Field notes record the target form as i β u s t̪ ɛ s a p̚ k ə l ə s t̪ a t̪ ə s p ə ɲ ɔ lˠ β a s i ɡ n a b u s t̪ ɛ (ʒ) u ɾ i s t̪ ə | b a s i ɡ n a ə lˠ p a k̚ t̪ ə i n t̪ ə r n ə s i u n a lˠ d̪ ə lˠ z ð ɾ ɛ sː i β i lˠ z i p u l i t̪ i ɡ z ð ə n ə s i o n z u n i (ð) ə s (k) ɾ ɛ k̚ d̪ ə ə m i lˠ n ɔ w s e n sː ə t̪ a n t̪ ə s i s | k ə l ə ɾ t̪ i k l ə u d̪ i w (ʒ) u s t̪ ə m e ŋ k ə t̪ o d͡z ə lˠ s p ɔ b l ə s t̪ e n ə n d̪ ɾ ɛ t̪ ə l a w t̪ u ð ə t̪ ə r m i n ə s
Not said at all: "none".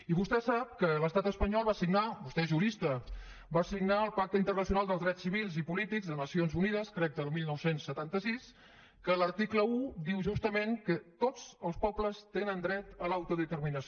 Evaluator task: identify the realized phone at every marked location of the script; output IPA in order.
ʒ, ð, k, ʒ

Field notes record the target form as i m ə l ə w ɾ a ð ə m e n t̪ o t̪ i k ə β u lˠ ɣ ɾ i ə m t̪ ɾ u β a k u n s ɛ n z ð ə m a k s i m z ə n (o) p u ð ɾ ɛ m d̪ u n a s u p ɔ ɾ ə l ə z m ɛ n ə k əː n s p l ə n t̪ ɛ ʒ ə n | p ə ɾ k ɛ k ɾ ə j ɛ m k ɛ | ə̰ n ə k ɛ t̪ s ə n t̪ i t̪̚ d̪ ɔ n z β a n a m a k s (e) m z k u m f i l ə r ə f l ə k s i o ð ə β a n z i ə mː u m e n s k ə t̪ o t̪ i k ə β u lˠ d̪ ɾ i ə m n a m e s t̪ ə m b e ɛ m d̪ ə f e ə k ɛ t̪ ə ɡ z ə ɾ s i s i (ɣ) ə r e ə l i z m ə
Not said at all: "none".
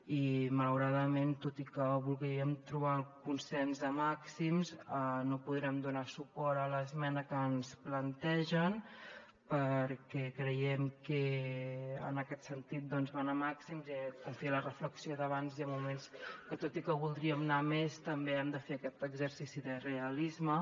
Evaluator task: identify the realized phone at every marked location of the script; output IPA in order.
o, i, ð

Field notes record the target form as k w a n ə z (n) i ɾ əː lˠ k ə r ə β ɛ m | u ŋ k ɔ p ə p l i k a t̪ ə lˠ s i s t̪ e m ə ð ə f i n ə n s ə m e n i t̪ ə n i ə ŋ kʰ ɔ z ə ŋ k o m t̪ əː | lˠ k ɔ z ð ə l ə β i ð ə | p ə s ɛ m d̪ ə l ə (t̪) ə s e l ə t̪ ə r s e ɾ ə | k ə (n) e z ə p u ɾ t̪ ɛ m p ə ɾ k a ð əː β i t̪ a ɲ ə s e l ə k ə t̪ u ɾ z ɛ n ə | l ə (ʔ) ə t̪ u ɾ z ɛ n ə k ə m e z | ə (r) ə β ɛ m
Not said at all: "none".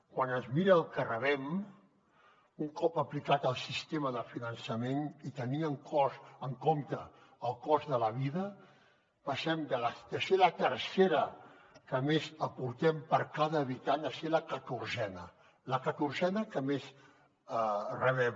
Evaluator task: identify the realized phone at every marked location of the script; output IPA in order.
m, d̪, m, k, r

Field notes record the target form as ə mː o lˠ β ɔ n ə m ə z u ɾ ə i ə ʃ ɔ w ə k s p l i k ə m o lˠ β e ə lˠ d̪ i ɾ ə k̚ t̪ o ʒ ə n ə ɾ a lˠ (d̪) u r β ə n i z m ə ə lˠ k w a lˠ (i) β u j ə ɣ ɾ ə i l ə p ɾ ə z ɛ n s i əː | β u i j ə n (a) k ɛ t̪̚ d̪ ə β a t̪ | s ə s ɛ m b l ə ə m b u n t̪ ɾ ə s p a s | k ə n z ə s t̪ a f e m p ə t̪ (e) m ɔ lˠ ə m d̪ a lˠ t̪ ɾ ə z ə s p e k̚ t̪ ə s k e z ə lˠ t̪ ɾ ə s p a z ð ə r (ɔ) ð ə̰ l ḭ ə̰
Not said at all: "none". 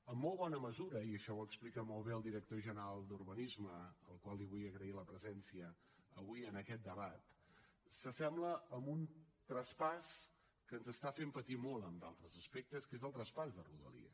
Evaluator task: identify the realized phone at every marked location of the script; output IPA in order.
d̪, i, ə, i, u

